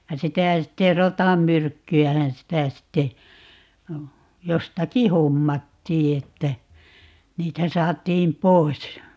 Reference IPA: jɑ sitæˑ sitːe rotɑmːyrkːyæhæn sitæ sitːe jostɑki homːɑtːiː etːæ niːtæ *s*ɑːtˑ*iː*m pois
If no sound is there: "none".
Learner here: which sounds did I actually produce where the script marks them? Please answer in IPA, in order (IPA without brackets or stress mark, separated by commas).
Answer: s, iː